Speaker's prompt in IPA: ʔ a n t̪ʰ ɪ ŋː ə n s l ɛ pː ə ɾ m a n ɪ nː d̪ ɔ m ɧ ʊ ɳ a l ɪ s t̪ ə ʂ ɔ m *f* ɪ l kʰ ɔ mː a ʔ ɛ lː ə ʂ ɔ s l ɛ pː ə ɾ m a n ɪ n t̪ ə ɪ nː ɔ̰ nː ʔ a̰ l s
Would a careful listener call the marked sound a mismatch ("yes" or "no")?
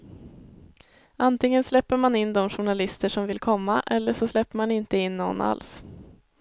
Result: yes